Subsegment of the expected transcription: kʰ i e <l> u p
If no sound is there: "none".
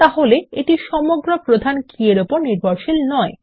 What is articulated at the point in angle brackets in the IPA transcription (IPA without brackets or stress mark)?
ɾ